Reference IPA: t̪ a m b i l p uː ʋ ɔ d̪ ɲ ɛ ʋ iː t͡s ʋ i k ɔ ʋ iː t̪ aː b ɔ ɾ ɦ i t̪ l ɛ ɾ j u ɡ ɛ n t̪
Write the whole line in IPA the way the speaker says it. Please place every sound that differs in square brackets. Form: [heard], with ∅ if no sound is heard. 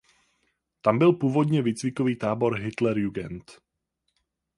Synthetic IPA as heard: t̪ a m b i l p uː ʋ ɔ d̪ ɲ ɛ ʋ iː t͡s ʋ i k ɔ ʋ iː t̪ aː b ɔ ɾ ɦ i t̪ l ɛ ɾ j u ɡ ɛ n t̪